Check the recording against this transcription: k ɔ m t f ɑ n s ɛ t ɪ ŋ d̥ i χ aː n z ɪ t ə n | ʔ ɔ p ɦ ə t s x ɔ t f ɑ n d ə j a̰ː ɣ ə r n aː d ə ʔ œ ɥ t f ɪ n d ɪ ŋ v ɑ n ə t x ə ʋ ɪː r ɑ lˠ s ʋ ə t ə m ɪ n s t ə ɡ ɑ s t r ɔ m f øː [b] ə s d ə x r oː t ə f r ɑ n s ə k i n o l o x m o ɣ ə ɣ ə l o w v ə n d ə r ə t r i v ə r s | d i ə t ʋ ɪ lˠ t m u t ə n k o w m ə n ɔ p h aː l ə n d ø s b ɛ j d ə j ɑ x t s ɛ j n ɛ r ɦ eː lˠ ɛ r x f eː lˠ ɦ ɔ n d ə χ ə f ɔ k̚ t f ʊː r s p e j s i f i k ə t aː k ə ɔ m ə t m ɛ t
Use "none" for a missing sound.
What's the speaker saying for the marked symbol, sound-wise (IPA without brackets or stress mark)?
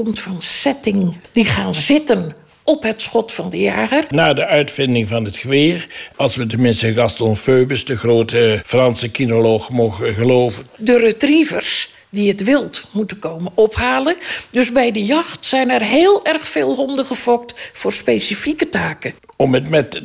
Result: b